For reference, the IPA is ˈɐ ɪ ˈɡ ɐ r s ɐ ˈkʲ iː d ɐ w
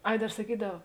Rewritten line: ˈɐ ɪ ˈd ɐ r s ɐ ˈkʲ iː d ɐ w